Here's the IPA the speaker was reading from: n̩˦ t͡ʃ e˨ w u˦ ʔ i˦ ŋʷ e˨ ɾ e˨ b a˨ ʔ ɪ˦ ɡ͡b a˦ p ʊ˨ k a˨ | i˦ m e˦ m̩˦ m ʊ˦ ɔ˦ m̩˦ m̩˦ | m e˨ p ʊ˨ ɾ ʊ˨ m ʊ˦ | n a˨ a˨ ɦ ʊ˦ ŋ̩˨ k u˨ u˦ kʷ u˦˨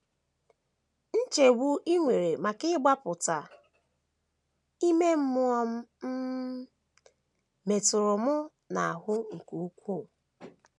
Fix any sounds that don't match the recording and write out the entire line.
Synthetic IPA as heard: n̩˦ t͡ʃ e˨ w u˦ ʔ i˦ ŋʷ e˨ ɾ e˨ m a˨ k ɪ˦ ɡ͡b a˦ p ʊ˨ t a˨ | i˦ m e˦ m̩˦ m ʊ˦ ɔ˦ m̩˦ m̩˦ | m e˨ t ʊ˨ ɾ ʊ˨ m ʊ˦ | n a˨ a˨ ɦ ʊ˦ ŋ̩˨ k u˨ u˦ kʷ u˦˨

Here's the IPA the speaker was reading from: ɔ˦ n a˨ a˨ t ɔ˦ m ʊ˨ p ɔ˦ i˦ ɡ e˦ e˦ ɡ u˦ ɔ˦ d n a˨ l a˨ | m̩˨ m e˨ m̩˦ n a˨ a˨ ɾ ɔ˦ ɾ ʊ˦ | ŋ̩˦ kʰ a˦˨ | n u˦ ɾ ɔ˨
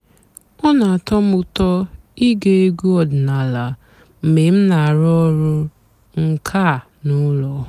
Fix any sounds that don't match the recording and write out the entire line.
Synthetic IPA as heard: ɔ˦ n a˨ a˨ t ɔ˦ m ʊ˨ t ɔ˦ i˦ ɡ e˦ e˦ ɡ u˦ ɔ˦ d n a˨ l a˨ | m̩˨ m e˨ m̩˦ n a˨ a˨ ɾ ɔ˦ ɾ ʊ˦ | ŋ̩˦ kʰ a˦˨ | n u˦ l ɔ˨

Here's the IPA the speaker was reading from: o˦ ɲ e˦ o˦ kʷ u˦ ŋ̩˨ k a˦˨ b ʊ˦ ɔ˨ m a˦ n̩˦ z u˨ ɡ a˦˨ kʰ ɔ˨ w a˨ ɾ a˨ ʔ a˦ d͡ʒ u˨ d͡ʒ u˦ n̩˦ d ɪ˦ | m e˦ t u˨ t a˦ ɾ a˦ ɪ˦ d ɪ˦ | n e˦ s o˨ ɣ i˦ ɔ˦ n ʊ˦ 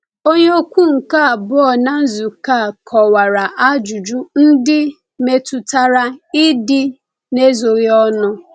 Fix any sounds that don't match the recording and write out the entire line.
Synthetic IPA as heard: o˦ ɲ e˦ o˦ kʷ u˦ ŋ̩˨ k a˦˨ b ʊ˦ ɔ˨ n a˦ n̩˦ z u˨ k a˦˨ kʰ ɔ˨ w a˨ ɾ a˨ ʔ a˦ d͡ʒ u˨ d͡ʒ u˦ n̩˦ d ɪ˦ | m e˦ t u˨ t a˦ ɾ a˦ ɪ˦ d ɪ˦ | n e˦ z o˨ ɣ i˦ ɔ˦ n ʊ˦

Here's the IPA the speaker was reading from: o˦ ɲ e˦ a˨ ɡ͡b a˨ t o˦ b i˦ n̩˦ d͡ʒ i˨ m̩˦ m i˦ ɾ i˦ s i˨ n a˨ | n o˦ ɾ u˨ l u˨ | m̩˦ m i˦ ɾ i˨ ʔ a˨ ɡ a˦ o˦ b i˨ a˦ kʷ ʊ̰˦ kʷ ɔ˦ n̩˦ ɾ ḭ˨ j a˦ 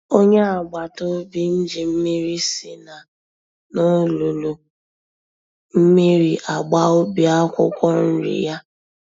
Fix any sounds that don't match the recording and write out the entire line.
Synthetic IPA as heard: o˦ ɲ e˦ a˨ ɡ͡b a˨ t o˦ b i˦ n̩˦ d͡ʒ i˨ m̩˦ m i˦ ɾ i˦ s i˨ n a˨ | n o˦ l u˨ l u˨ | m̩˦ m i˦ ɾ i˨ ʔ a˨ ɡ͡b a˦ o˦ b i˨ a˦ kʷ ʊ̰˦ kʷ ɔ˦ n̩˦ ɾ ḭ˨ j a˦

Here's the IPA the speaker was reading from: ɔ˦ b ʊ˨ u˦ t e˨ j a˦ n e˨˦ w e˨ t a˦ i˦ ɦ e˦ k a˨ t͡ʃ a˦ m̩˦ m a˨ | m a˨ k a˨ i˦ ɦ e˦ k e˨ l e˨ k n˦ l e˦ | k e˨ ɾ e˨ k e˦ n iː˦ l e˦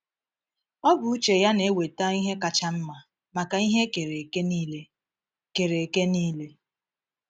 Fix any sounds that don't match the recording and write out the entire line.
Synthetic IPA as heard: ɔ˦ b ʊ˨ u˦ t͡ʃ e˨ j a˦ n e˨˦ w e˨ t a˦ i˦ ɦ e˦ k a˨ t͡ʃ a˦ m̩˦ m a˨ | m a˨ k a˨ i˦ ɦ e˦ k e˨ ɾ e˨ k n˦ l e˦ | k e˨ ɾ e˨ k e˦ n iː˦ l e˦

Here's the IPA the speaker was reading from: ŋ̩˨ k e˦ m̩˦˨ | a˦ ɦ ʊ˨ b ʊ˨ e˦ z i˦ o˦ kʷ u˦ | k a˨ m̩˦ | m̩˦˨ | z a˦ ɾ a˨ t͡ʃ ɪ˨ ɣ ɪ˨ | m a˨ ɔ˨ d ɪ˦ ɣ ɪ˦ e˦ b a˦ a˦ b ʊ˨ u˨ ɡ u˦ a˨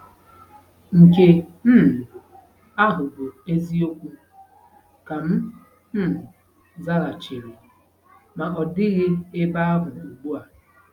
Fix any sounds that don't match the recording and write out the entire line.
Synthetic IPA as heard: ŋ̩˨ k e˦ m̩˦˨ | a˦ ɦ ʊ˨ b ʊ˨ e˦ z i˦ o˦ kʷ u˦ | k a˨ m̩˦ | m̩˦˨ | z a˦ ɾ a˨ t͡ʃ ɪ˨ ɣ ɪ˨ | m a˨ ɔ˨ d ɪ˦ ɣ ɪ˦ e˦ b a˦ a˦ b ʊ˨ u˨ ɡ͡b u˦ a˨

